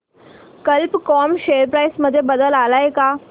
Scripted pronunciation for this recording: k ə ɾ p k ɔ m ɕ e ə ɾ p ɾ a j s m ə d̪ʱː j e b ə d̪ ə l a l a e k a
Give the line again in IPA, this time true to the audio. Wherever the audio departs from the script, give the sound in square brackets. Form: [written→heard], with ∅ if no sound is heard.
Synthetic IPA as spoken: k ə [ɾ→l] p k ɔ m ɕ e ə ɾ p ɾ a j s m ə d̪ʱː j e b ə d̪ ə l a l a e k a